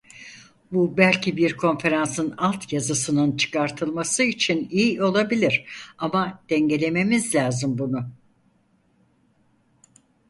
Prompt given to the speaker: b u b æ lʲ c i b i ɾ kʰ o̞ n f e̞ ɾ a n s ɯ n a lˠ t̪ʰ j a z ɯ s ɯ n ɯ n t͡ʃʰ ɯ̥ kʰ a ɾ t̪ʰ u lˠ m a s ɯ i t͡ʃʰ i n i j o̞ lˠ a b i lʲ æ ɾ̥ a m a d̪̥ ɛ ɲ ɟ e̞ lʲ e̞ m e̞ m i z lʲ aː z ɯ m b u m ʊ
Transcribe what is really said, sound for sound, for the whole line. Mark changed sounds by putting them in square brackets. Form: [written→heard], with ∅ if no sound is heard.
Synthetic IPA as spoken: b u b æ lʲ c i b i ɾ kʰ o̞ n f e̞ ɾ a n s ɯ n a lˠ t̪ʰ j a z ɯ s ɯ n ɯ n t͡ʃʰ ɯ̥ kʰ a ɾ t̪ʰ [u→ɯ] lˠ m a s ɯ i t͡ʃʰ i n i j o̞ lˠ a b i lʲ [æ→i] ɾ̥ a m a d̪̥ ɛ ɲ ɟ e̞ lʲ e̞ m e̞ m i z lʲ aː z ɯ m b u [m→n] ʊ